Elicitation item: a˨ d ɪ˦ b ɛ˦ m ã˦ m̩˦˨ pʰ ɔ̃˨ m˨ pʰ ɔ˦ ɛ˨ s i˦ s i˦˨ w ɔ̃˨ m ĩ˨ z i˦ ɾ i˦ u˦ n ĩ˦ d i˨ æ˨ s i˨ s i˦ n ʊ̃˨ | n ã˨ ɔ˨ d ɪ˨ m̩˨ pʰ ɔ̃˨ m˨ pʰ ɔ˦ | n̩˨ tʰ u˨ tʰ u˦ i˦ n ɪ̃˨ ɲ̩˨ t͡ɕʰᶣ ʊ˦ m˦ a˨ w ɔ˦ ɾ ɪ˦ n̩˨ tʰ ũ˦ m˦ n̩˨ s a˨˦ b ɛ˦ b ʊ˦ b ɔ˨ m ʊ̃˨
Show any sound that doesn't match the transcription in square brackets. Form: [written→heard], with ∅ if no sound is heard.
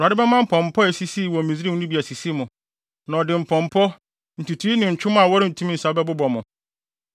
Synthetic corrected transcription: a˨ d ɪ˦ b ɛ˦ m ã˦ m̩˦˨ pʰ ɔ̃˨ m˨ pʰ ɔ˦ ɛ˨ s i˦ s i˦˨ w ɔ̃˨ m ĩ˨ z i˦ ɾ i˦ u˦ n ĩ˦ [d→b] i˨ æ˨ s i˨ s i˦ [n→m] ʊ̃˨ | n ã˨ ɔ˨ d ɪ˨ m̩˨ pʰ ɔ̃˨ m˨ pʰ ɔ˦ | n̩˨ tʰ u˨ tʰ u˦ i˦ n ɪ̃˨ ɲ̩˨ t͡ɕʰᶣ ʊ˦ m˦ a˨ w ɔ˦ ɾ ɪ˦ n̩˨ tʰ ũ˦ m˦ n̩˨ s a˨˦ b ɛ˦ b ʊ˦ b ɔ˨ m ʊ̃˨